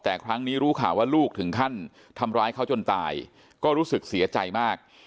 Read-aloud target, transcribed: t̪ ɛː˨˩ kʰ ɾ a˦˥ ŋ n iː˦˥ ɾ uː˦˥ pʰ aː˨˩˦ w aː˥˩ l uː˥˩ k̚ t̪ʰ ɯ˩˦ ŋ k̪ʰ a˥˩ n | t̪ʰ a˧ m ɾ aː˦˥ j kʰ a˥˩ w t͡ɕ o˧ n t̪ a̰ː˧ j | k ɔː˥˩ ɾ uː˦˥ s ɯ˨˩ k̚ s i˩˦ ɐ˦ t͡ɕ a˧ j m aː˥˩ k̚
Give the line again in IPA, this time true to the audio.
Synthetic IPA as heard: t̪ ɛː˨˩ kʰ ɾ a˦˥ ŋ n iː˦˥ ɾ uː˦˥ kʰ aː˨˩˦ w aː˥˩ l uː˥˩ k̚ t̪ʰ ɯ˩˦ ŋ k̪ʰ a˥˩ n | t̪ʰ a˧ m ɾ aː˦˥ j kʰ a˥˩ w t͡ɕ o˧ n t̪ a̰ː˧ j | k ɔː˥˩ ɾ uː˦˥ s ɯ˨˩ k̚ s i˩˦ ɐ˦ t͡ɕ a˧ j m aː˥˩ k̚

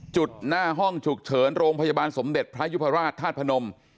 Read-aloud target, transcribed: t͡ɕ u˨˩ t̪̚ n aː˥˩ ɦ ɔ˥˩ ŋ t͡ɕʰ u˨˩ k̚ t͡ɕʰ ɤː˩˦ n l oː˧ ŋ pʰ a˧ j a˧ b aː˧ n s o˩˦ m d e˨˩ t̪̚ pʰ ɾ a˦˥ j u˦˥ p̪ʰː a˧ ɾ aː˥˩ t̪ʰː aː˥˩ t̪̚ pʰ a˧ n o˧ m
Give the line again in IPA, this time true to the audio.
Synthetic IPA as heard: t͡ɕ u˨˩ t̪̚ n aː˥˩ ɦ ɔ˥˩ ŋ t͡ɕʰ u˨˩ k̚ t͡ɕʰ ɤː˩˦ n ɾ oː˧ ŋ pʰ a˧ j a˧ b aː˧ n s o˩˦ m d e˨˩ t̪̚ pʰ ɾ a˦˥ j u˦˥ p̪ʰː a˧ ɾ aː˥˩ t̪ʰː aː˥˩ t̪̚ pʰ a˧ n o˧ m

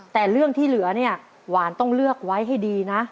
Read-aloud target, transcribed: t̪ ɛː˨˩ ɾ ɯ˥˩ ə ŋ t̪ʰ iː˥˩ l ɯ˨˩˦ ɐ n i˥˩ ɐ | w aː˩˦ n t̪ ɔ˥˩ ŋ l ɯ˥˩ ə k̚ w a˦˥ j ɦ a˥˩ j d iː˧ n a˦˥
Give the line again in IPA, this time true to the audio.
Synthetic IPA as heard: t̪ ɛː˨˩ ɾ ɯ˥˩ ə ŋ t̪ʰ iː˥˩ l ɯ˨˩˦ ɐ n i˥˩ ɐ | w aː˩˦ n t̪ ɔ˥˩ ŋ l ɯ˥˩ ə k̚ w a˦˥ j ɦ a˥˩ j d iː˧ n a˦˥

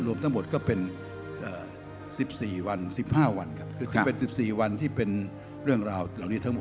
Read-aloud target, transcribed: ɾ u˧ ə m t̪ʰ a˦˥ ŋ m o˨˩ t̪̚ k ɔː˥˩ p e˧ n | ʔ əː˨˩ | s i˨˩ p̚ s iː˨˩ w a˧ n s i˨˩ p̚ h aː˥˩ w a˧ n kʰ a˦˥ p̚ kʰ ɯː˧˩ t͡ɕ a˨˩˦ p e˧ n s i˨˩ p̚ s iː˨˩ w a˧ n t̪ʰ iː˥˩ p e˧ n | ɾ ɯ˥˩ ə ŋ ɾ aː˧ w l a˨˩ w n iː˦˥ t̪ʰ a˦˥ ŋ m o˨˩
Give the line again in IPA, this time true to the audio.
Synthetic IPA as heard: ɾ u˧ ə m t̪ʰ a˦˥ ŋ m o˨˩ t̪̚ k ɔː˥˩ p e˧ n | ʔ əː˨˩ | s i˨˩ p̚ s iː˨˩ w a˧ n s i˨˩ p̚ h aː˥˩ w a˧ n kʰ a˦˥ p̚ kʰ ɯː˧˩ t͡ɕ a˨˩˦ p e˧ n s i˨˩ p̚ s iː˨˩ w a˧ n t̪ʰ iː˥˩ p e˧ n | ɾ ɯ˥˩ ə ŋ ɾ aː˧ w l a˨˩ w n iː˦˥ t̪ʰ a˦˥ ŋ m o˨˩

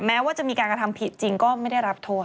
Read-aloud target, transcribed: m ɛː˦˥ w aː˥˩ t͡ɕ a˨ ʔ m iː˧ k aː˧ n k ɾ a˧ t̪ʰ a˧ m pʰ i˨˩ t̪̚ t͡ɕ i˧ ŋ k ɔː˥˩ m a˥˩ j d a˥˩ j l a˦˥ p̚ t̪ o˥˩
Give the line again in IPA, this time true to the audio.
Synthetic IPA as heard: m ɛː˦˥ w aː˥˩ t͡ɕ a˨ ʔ m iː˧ k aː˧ n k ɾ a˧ t̪ʰ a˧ m pʰ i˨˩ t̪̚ t͡ɕ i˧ ŋ k ɔː˥˩ m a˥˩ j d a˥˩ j ɾ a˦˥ p̚ t̪ʰ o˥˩

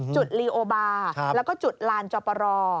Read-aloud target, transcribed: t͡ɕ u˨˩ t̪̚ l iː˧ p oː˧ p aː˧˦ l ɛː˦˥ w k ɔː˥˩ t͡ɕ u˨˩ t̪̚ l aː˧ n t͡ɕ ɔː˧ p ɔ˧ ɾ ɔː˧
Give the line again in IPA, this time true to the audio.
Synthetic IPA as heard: t͡ɕ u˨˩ t̪̚ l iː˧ ʔ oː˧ b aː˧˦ l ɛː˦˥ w k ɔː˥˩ t͡ɕ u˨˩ t̪̚ l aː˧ n t͡ɕ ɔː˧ p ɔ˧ ɾ ɔː˧

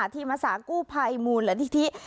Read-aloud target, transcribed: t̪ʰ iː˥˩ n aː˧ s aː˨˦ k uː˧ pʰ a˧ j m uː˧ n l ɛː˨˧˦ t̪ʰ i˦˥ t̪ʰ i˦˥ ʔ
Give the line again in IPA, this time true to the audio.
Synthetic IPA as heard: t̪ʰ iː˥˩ m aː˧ s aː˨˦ k uː˥˩ pʰ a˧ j m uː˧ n l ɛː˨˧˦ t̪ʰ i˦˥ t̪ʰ i˦˥ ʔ

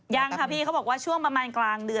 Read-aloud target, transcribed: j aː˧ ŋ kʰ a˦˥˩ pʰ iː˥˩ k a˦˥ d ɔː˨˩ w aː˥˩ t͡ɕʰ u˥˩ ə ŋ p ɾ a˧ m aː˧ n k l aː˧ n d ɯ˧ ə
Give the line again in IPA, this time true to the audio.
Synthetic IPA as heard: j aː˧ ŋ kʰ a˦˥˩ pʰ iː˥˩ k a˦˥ b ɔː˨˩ w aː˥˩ t͡ɕʰ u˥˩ ə ŋ p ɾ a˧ m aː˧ n k l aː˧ ŋ d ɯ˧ ə

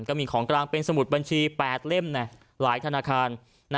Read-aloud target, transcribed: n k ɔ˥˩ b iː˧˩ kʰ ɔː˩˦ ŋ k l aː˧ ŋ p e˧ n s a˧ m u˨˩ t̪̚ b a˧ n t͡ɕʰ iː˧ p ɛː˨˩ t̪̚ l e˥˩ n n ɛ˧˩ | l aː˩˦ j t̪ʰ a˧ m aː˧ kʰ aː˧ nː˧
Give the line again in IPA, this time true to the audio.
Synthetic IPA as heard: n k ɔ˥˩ m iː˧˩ kʰ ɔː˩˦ ŋ k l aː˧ ŋ p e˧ n s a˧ m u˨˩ t̪̚ b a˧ n t͡ɕʰ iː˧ p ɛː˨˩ t̪̚ l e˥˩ m n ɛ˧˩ | l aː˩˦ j t̪ʰ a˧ n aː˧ kʰ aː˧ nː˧

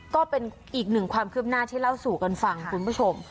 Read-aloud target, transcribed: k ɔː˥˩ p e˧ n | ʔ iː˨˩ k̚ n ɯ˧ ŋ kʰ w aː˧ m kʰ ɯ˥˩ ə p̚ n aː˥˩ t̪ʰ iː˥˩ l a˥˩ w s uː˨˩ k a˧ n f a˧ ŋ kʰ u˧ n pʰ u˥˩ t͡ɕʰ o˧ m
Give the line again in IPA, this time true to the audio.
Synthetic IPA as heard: k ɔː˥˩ p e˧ n | ʔ iː˨˩ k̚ n ɯ˨˩ ŋ kʰ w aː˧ m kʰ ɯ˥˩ ə p̚ n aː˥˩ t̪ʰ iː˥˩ l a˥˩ w s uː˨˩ k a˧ n f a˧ ŋ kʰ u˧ n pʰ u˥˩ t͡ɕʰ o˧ m

